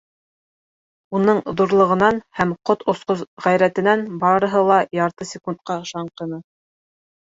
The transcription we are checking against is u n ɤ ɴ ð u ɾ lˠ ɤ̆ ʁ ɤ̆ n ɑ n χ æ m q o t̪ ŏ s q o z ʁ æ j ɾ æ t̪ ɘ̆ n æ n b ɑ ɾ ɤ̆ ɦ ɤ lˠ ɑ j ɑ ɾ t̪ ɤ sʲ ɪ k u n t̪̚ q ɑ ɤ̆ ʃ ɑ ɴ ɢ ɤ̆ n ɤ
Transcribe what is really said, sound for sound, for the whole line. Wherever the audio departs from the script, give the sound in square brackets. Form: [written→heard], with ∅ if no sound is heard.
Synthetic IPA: u n ɤ ɴ ð u ɾ lˠ ɤ̆ ʁ ɤ̆ n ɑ n [χ→h] æ m q o t̪ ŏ s q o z ʁ æ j ɾ æ t̪ ɘ̆ n æ n b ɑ ɾ ɤ̆ ɦ ɤ lˠ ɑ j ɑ ɾ t̪ ɤ sʲ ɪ k u n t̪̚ q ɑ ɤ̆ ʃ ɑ ɴ [ɢ→q] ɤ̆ n ɤ